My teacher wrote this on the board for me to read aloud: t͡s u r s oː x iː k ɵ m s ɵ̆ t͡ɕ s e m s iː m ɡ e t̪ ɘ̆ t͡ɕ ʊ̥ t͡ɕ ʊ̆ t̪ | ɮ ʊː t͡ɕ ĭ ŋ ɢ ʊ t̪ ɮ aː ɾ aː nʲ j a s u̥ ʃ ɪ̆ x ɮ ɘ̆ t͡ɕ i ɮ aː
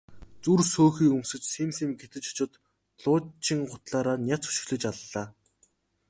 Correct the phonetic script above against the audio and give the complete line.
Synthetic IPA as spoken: t͡s u r s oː x iː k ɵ m s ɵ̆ t͡ɕ s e m s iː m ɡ e t̪ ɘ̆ t͡ɕ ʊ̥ t͡ɕ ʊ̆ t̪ | ɮ ʊː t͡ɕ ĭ ŋ ɢ ʊ t̪ ɮ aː ɾ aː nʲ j a t͡s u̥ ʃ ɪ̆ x ɮ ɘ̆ t͡ɕ a ɮ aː

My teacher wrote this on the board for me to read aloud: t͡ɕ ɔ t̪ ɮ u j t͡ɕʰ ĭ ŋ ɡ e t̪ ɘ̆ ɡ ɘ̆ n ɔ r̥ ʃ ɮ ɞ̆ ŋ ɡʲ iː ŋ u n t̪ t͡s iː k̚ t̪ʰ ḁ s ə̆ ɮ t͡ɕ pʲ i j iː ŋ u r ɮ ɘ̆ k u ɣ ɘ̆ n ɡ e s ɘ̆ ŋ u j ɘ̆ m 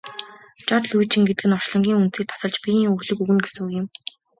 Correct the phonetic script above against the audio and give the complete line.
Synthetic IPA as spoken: t͡ɕ ɔ t̪ ɮ u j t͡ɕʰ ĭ ŋ ɡ e t̪ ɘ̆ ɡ ɘ̆ n ɔ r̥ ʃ ɮ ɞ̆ ŋ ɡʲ iː ŋ u n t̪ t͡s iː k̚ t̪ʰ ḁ s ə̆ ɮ t͡ɕ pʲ i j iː ŋ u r ɮ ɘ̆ k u ɣ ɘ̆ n ɡ e s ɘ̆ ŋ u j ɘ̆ m

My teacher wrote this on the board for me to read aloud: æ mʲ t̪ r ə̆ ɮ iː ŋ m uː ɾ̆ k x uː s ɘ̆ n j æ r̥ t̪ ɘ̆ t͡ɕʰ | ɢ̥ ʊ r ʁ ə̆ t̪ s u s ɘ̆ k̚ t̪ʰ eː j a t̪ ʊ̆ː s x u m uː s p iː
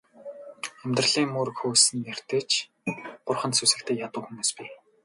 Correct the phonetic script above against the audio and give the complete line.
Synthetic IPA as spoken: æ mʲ t̪ r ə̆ ɮ iː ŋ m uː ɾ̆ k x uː s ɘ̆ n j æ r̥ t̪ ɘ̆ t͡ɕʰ | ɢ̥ ʊ r χ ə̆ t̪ s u s ɘ̆ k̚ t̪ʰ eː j a t̪ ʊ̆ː x u m uː s p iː

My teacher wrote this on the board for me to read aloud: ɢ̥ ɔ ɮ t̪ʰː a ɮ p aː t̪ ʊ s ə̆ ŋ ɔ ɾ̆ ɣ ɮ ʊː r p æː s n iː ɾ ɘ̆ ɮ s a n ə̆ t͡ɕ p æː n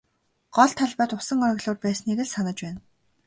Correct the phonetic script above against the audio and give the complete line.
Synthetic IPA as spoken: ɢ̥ ɔ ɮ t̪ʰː a ɮ p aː t̪ ʊ s ə̆ ŋ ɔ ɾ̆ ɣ ɮ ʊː r p æː s n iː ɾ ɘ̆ ɮ s a n ə̆ t͡ɕ p æː n

